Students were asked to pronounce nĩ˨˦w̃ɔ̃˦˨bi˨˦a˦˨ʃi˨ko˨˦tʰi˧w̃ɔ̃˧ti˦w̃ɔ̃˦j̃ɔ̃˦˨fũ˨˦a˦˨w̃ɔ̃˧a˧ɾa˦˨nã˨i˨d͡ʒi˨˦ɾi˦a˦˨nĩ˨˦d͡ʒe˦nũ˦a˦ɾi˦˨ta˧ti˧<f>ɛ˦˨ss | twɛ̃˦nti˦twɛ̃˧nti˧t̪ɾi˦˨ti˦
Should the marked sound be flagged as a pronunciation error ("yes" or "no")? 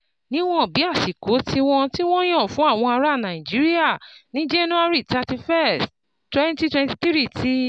no